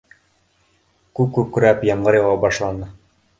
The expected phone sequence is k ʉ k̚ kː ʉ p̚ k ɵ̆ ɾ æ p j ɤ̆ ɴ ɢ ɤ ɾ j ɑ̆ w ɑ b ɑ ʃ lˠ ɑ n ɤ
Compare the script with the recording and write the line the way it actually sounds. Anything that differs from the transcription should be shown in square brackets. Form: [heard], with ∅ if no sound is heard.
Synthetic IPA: k ʉ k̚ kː ʉ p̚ k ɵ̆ ɾ æ p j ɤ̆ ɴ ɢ ɤ ɾ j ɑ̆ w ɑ b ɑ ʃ lˠ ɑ n ɤ